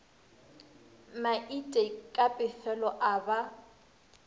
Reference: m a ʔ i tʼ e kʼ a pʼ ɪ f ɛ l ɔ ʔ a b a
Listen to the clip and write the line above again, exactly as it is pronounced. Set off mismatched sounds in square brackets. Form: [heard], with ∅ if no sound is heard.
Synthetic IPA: m a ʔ i tʼ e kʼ a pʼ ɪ f ɛ l ɔ ʔ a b a